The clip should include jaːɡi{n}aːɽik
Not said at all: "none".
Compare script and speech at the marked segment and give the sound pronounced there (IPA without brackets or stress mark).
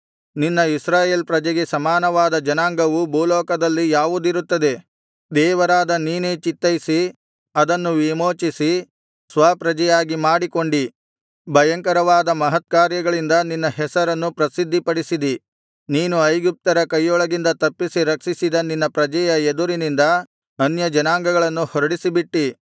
m